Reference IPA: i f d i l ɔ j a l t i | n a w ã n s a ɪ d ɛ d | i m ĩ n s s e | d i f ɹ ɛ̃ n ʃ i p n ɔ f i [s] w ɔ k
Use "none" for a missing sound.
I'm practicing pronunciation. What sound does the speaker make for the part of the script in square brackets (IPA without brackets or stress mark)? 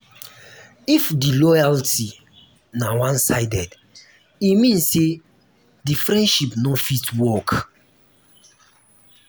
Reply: t